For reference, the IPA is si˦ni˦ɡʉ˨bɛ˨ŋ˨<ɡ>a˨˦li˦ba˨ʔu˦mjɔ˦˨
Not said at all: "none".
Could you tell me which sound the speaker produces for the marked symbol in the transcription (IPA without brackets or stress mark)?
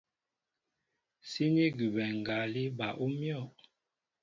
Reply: ɡ